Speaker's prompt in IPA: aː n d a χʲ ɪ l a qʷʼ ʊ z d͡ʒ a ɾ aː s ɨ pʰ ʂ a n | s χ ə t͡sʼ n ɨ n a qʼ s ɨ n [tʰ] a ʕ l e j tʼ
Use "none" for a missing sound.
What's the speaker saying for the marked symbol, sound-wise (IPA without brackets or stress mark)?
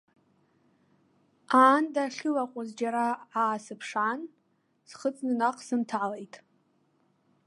tʰ